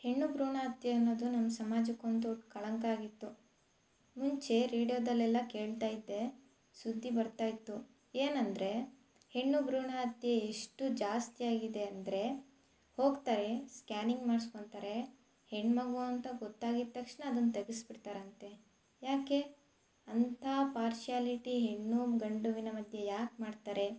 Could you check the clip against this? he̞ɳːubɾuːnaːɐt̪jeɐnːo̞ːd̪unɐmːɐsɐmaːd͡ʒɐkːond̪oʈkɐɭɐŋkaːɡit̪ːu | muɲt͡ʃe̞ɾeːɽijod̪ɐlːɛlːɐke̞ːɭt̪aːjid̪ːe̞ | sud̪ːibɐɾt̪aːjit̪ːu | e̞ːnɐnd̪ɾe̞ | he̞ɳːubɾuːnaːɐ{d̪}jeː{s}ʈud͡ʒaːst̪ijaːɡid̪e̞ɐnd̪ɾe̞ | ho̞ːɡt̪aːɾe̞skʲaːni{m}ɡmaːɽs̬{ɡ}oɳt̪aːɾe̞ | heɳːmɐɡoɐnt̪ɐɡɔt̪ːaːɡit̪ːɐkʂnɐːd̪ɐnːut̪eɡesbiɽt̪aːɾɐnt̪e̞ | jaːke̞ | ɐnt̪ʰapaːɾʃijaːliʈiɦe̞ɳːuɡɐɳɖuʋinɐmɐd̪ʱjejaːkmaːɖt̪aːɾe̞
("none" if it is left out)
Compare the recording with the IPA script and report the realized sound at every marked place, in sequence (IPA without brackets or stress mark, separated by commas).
t̪, ʂ, ŋ, k